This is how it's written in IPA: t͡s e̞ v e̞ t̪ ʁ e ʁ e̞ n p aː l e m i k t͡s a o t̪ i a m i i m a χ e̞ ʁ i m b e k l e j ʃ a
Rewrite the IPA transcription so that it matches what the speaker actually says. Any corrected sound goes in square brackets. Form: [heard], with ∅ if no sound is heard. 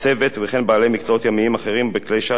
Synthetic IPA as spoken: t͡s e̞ v e̞ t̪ [v] e [χ] e̞ n [b] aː l e m i k t͡s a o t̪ [j] a m i i m a χ e̞ ʁ i m b e k l e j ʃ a